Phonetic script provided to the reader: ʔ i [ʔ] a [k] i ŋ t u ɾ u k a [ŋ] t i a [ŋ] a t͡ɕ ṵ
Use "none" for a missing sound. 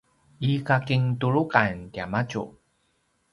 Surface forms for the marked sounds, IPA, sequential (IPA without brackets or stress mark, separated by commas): k, k, n, m